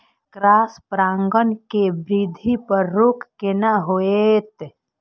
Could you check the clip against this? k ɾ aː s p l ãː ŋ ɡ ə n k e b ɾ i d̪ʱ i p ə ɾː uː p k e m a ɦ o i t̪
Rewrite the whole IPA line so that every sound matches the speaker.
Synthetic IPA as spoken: k ɾ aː s p ɾ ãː ŋ ɡ ə n k e b ɾ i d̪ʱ i p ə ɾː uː k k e n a ɦ o e t̪